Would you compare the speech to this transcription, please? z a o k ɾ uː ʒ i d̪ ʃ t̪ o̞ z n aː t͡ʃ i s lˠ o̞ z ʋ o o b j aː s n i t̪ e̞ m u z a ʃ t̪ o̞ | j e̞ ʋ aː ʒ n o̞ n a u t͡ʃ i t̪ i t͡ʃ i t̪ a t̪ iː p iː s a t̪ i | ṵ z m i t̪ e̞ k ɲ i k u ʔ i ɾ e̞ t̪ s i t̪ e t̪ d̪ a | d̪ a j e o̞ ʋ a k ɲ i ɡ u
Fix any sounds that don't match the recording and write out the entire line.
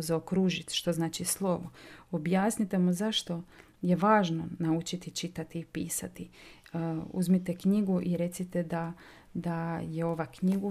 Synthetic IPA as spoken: z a o k ɾ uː ʒ i t̪ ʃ t̪ o̞ z n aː t͡ʃ i s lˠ o̞ ʋ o o b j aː s n i t̪ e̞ m u z a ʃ t̪ o̞ | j e̞ ʋ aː ʒ n o̞ n a u t͡ʃ i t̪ i t͡ʃ i t̪ a t̪ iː p iː s a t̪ i | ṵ z m i t̪ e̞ k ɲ i ɡ u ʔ i ɾ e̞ t̪ s i t̪ e d̪ a | d̪ a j e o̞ ʋ a k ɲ i ɡ u